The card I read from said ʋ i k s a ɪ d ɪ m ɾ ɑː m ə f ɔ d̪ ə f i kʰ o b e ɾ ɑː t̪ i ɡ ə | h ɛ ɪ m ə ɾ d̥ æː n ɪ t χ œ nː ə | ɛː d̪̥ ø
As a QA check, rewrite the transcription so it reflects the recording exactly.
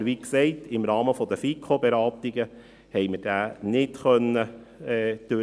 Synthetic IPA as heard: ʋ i k s ɛ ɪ t ɪ m ɾ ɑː m ə f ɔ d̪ ə f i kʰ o b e ɾ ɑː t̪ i ɡ ə | h ɛ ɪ m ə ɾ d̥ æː n ɪ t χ œ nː ə | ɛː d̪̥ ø